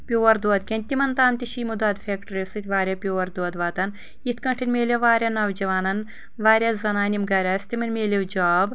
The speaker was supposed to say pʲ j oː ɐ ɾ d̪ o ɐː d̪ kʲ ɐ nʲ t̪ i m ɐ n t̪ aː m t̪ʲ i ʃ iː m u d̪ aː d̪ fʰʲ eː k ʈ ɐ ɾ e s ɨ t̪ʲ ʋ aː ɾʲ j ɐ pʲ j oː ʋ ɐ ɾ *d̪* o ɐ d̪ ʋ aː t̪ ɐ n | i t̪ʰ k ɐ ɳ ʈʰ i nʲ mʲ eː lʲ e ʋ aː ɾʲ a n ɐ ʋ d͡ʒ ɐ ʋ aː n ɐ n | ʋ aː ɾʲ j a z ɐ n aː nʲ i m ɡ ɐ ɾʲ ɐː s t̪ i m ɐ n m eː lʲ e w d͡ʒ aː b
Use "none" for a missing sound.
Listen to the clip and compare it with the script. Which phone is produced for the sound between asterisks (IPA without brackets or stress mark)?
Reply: d̪